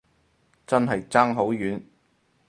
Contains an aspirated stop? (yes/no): no